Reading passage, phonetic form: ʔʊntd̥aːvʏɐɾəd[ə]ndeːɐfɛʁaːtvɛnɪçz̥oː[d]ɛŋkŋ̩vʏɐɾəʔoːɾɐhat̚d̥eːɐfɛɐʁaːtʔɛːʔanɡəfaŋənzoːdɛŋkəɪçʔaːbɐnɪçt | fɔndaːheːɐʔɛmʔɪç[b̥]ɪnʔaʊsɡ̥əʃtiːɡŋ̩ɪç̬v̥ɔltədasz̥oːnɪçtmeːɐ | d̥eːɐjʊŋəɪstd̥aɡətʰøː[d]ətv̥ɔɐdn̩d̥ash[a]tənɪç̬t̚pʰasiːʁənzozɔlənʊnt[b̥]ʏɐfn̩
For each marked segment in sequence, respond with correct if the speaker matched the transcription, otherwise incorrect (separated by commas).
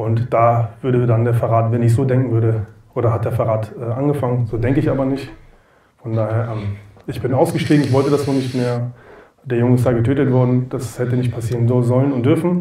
incorrect, correct, correct, incorrect, incorrect, incorrect